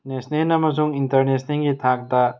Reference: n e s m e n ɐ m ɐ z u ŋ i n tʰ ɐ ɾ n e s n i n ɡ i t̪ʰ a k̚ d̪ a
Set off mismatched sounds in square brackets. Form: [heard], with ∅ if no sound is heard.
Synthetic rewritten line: n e s [n] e n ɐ m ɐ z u ŋ i n [t] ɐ ɾ n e s n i [ŋ] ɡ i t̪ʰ a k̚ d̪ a